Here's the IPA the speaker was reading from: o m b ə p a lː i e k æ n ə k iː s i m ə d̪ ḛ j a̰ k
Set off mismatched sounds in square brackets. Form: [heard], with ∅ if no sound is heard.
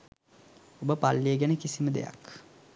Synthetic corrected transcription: o [∅] b ə p a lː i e [ɡ] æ n ə k [i] s i m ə d̪ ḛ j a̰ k